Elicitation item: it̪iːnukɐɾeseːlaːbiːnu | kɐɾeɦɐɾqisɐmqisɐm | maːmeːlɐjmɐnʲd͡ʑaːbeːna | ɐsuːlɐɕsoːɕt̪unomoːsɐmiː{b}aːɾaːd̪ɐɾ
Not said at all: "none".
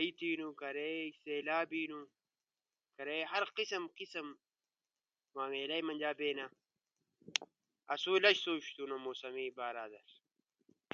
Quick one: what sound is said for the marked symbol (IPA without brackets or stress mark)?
b